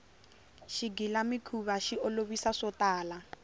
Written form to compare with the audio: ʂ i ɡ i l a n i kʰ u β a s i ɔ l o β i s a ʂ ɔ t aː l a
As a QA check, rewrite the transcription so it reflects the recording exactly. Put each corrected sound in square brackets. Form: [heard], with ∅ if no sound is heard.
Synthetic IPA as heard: [ʃ] i ɡ i l a [m] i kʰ u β a [ʃ] i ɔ l o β i s a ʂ ɔ t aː l a